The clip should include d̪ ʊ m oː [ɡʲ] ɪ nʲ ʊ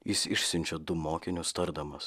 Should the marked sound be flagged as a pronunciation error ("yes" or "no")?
yes